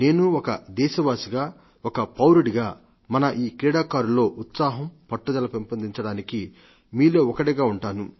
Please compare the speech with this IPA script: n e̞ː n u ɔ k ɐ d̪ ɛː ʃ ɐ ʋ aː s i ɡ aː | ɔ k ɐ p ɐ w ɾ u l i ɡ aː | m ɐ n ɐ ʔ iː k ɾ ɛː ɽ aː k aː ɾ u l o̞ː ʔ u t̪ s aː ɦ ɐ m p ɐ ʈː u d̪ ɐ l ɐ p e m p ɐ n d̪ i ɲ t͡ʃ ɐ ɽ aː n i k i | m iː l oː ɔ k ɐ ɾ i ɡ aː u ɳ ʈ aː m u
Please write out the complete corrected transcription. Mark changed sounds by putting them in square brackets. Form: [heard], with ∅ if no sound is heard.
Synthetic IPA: n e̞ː n u ɔ k ɐ d̪ ɛː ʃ ɐ ʋ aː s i ɡ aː | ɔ k ɐ p ɐ w ɾ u [ɽ] i ɡ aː | m ɐ n ɐ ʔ iː k ɾ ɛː ɽ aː k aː ɾ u l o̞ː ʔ u t̪ s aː ɦ ɐ m p ɐ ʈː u d̪ ɐ l ɐ p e m p ɐ n d̪ i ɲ t͡ʃ ɐ ɽ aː n i k i | m iː l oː ɔ k ɐ [ɽ] i ɡ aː u ɳ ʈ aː [n] u